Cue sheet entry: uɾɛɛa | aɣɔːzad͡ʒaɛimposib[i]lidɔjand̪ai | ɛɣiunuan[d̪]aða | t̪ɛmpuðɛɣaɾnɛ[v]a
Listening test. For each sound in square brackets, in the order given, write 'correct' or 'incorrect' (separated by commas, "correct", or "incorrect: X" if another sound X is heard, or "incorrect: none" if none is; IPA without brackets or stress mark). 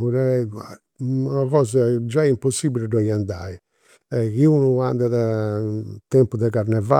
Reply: correct, correct, correct